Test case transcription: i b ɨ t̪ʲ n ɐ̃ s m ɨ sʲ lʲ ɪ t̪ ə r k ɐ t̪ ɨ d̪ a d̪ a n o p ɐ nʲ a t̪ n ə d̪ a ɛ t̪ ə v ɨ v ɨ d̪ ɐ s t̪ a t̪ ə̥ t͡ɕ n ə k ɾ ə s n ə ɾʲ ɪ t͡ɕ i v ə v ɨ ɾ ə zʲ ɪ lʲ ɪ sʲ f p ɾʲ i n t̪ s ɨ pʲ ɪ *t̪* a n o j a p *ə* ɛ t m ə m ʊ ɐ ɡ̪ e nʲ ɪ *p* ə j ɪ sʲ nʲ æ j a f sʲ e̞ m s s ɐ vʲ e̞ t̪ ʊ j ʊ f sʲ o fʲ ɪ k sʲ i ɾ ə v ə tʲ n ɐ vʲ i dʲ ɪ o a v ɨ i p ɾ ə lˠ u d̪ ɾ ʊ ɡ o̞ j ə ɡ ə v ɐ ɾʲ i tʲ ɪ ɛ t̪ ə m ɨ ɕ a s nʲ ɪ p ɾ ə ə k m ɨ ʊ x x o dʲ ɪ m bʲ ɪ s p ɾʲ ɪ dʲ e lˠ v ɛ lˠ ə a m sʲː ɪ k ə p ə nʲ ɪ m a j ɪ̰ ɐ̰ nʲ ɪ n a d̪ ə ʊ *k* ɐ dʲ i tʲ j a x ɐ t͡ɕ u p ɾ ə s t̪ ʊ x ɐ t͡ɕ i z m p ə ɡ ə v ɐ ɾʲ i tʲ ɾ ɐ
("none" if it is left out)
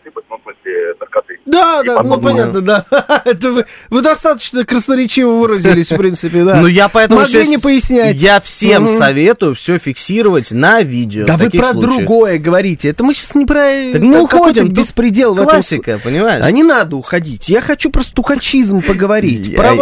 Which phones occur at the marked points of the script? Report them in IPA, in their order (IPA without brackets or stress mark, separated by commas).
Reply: d̪, ɐ, p, x